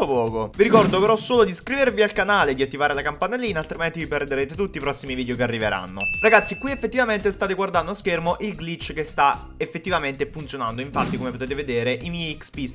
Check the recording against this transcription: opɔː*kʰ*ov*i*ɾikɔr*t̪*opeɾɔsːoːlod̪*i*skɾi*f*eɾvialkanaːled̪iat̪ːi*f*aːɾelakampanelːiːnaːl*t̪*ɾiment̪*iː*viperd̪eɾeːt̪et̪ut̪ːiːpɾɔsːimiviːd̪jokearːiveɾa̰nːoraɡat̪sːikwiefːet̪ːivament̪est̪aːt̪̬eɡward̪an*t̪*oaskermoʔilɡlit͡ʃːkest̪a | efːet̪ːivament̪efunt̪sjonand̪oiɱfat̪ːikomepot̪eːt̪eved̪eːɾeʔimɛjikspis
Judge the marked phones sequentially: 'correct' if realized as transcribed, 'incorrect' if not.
incorrect, correct, incorrect, correct, incorrect, incorrect, correct, incorrect, incorrect

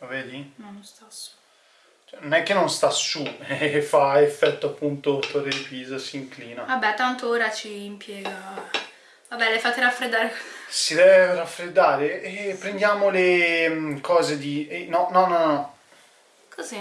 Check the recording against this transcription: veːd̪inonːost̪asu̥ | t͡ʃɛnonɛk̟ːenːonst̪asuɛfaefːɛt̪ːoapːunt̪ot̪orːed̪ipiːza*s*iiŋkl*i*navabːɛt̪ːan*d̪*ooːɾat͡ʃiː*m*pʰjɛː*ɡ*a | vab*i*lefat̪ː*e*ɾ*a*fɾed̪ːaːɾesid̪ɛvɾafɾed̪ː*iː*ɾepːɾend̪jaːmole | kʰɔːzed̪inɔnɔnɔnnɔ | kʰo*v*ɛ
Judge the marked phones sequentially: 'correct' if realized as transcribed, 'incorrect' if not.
correct, incorrect, incorrect, correct, correct, incorrect, correct, correct, incorrect, incorrect

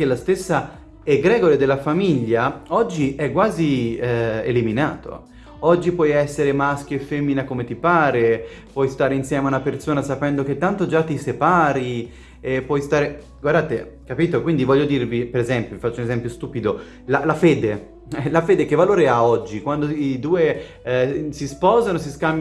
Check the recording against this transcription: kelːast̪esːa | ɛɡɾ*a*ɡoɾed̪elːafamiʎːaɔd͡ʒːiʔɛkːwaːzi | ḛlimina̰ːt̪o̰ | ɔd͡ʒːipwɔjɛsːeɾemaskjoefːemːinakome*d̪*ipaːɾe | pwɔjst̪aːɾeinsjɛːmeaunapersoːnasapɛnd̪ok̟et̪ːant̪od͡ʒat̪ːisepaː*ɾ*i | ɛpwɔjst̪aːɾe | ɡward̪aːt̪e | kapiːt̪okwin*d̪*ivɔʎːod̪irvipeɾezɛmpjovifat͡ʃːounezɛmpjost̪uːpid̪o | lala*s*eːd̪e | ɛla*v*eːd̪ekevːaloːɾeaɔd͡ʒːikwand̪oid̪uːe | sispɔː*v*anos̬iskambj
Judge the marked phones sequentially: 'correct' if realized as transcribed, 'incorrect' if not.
incorrect, incorrect, correct, correct, incorrect, incorrect, incorrect

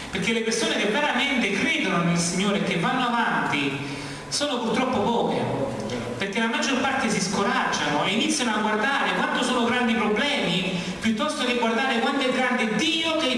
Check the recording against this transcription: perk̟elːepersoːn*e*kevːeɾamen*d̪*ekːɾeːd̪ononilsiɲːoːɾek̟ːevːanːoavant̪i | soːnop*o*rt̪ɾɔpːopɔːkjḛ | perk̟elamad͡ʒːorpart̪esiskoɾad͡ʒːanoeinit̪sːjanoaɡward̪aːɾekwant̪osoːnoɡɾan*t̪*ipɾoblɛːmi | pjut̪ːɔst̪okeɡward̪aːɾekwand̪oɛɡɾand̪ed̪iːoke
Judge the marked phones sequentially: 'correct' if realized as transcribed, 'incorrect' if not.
correct, incorrect, incorrect, incorrect

